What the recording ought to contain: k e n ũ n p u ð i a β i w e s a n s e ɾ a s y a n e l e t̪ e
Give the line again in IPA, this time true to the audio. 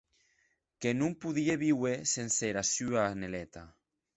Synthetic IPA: k e n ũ m p u ð i e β i w e s e n s e ɾ a s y a n e l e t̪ a